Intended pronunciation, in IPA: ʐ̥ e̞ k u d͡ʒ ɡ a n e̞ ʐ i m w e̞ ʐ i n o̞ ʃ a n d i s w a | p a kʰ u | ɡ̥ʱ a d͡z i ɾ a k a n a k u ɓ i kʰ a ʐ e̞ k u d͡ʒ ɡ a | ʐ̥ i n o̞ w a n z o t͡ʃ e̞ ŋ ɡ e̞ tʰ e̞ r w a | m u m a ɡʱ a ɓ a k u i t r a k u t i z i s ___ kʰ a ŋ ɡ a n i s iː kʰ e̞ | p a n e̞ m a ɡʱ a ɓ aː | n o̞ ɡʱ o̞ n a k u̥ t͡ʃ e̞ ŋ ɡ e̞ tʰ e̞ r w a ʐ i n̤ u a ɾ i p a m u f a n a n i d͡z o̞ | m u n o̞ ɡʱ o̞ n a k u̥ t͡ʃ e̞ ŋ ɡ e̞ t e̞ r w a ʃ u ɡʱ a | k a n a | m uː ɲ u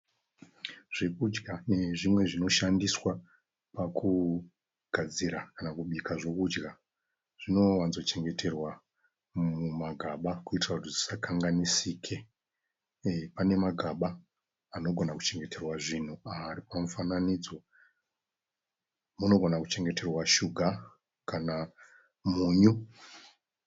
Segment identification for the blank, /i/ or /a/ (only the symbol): a